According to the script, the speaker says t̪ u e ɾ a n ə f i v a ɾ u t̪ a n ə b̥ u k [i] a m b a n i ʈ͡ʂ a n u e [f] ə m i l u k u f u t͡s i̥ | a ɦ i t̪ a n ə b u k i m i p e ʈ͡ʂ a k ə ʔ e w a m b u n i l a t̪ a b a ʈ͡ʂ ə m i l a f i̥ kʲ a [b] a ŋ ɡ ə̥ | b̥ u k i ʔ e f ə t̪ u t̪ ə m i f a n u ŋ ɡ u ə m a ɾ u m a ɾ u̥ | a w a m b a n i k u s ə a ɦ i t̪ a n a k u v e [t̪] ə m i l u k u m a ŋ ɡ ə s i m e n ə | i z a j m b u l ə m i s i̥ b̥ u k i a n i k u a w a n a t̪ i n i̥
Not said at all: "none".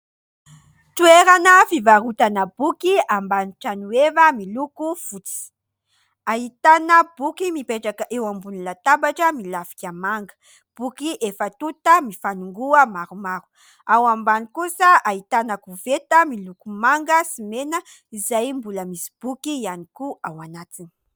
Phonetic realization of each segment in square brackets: i, v, m, t̪

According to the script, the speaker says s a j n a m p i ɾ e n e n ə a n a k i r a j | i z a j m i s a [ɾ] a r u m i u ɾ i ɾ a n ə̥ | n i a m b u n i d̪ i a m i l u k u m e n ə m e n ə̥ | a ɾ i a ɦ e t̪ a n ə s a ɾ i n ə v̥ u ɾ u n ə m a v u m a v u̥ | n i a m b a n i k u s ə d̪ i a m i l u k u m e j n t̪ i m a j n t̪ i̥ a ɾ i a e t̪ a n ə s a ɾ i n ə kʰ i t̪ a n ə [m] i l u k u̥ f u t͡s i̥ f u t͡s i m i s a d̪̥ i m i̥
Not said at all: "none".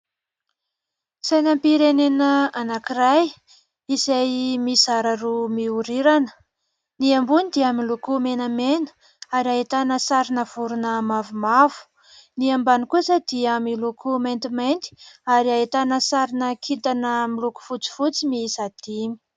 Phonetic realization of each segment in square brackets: ɾ, m

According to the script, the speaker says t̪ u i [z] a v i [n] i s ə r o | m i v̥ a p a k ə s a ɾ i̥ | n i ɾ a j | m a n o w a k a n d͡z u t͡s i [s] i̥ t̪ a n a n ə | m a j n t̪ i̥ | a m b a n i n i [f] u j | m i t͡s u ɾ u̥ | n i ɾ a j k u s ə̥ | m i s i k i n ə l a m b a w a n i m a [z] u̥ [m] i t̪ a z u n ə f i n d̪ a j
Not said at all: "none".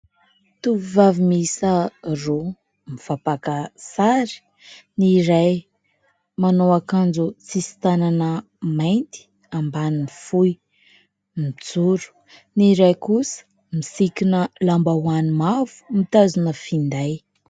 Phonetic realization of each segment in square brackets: v, m, s, f, v, m

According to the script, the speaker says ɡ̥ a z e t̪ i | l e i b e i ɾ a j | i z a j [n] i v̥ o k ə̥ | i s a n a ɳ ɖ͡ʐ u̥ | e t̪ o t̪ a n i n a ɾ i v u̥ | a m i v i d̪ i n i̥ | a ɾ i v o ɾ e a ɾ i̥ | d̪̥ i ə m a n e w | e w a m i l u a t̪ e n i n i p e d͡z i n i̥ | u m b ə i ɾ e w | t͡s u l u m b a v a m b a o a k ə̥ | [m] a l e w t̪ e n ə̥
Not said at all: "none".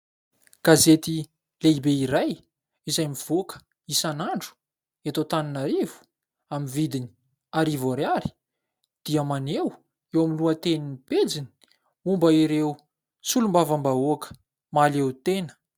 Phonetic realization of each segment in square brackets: m, m

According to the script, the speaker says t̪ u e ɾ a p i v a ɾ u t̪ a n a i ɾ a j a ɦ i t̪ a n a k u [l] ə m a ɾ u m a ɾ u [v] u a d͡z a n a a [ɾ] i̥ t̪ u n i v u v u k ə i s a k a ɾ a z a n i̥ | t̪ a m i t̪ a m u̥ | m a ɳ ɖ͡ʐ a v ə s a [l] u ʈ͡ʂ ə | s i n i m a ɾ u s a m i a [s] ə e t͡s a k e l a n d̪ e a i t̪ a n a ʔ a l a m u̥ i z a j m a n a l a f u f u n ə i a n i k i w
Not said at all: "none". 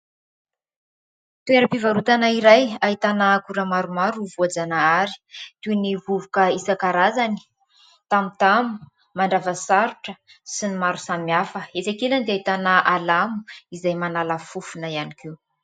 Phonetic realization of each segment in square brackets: ɾ, v, ɾ, ɾ, f

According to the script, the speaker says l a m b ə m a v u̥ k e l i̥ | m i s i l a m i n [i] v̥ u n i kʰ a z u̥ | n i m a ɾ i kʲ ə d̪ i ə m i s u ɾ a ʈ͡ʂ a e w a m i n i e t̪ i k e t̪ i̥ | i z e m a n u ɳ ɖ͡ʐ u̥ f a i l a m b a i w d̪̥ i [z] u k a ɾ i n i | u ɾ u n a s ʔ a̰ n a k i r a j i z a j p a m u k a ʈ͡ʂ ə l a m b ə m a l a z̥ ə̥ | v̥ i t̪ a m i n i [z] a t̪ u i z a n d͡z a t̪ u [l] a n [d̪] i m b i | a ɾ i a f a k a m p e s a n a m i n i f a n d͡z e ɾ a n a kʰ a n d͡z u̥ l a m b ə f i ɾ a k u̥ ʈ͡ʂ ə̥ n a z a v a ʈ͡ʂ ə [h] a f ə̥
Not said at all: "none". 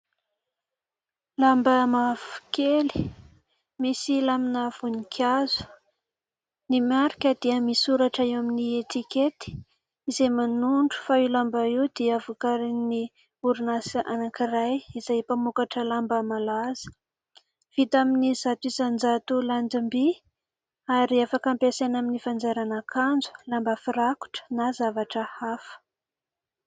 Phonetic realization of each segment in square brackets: a, v, z, l, d̪, h

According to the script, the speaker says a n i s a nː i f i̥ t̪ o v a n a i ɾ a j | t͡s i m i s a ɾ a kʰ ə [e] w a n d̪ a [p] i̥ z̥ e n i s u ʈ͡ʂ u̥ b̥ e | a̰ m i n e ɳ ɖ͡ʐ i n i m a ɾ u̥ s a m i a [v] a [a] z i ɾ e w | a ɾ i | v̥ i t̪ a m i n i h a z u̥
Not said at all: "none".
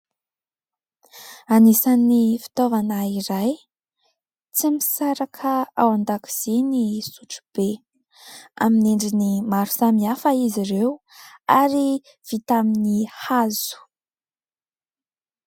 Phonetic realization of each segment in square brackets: a, k, f, i

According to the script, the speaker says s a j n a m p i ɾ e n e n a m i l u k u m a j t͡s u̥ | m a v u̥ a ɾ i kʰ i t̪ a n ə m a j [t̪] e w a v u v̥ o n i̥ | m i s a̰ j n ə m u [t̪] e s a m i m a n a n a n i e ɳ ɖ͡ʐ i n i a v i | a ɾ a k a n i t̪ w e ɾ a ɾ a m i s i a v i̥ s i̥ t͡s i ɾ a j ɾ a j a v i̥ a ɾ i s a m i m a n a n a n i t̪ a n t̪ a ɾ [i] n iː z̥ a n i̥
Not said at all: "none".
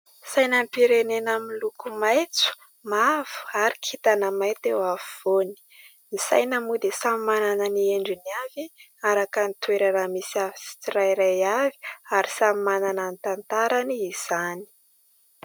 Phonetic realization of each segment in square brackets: t̪, d̪, a

